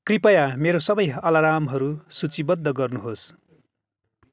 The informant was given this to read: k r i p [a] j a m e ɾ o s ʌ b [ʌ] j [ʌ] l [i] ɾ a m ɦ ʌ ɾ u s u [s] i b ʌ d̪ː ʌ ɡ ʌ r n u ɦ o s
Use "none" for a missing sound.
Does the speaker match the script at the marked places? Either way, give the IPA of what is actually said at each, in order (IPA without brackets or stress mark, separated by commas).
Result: ʌ, ʌ, ʌ, a, t͡s